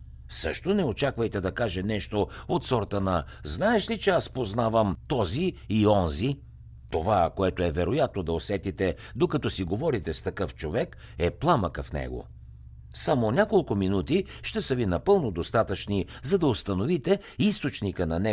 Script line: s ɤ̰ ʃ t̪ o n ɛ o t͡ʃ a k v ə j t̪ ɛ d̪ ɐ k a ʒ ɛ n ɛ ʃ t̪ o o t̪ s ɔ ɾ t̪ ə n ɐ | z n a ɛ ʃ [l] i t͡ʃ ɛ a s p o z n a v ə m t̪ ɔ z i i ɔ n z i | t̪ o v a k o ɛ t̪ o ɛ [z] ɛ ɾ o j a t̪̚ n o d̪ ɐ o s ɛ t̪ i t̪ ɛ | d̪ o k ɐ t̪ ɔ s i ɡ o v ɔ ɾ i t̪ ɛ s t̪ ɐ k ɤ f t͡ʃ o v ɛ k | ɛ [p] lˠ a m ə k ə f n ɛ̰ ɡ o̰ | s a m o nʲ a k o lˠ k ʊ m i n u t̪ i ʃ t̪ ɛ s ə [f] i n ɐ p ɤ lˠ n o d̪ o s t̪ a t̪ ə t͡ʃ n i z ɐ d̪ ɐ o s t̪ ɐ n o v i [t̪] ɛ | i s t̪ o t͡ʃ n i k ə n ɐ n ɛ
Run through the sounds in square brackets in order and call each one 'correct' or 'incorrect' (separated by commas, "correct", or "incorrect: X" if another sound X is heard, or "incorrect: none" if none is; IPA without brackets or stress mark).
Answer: correct, incorrect: v, correct, incorrect: v, correct